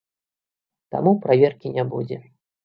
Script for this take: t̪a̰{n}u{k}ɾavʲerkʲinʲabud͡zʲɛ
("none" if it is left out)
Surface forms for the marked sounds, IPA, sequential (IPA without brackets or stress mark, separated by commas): m, p